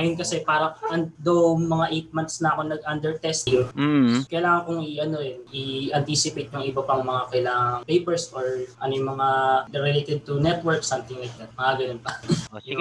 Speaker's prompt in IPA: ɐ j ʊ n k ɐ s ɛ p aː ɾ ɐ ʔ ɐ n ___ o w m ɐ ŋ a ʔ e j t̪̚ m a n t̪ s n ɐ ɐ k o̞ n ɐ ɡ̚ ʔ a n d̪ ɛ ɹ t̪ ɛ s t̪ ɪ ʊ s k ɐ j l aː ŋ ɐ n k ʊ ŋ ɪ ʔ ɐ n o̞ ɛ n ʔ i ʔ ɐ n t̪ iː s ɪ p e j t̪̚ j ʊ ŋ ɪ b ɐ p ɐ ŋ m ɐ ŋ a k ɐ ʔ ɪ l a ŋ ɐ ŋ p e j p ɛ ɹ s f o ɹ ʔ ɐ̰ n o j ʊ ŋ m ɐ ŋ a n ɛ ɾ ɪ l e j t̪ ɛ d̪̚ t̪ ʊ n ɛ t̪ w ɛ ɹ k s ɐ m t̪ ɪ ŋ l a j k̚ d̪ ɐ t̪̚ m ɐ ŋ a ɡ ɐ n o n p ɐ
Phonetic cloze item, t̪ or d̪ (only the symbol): d̪